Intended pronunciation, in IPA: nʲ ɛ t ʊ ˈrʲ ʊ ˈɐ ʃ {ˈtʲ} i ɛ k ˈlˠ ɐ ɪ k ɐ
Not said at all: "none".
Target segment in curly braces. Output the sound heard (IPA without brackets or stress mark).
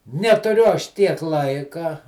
tʲ